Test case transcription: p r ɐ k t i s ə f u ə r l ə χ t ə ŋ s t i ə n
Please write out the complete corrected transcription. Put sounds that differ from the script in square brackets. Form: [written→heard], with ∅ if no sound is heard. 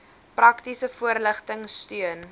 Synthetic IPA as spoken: p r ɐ k t i s ə f u ə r l ə χ t ə ŋ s t [i→y] ə n